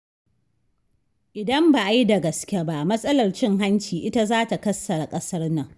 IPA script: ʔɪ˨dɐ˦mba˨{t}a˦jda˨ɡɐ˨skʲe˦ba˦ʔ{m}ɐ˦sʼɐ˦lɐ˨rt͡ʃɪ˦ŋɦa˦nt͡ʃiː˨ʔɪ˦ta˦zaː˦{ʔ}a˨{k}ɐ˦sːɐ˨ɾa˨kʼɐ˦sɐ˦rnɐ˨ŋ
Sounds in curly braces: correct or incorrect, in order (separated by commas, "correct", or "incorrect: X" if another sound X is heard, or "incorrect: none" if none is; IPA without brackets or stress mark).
incorrect: ʔ, correct, incorrect: t, correct